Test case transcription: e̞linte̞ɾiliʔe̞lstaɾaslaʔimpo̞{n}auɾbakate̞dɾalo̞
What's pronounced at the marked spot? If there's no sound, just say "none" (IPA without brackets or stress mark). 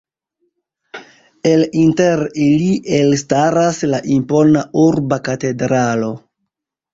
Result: n